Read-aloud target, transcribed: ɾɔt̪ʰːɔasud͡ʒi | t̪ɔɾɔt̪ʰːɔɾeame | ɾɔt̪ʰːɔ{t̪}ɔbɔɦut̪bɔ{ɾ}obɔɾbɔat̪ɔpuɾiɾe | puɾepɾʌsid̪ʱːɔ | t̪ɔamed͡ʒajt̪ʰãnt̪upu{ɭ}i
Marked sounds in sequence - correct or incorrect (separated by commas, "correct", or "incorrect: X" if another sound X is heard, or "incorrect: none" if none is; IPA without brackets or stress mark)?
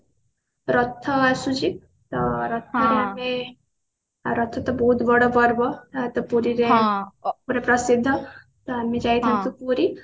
correct, incorrect: ɽ, incorrect: ɾ